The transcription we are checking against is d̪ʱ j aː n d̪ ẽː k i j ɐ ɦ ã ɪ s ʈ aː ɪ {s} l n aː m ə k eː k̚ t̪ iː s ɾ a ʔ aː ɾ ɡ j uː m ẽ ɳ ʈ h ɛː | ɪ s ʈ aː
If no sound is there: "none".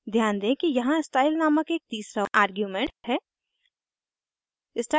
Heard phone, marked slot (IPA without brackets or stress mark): none